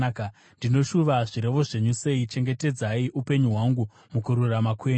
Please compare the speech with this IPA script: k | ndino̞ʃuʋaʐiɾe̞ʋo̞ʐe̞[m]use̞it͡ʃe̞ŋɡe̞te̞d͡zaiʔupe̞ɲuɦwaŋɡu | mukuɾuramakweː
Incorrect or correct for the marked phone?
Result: incorrect: ɲ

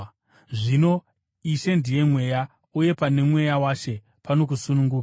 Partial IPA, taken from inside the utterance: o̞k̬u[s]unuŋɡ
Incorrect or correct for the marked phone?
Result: correct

